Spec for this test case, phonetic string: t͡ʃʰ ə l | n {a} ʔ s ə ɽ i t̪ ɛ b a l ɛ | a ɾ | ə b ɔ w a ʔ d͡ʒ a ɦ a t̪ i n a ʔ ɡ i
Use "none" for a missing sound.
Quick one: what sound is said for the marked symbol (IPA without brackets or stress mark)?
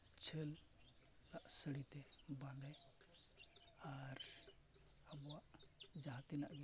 a